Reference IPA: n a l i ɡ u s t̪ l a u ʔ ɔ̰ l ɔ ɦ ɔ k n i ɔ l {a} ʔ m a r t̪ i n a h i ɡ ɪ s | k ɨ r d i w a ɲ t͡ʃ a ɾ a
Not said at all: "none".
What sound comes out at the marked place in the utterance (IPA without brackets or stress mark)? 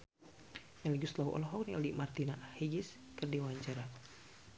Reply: i